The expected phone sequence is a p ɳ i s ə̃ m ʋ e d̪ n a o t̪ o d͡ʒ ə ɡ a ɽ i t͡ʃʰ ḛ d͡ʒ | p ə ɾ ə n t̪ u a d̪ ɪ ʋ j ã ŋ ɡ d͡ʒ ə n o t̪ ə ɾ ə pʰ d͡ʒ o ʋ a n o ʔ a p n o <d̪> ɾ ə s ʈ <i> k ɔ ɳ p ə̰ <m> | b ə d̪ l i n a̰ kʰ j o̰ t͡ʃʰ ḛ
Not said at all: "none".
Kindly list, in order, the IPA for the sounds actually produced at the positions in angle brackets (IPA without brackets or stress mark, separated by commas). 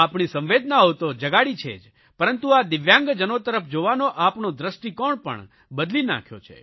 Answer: d̪, i, ɳ